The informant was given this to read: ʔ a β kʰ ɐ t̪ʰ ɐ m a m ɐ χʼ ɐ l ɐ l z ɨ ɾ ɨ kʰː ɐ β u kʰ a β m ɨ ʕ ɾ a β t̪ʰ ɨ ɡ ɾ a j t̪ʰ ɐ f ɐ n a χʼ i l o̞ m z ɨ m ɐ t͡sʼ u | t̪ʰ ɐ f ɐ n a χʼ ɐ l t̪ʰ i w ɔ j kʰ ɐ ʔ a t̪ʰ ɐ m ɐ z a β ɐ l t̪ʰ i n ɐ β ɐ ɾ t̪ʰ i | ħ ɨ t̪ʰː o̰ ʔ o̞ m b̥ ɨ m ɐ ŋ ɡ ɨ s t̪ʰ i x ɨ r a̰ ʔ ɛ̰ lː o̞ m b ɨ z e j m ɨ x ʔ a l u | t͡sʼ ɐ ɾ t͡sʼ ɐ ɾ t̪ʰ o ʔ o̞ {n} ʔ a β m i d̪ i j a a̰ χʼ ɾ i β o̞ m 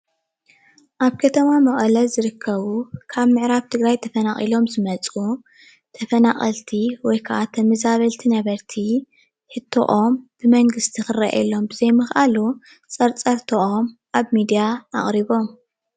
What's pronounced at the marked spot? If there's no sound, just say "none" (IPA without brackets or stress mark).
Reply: m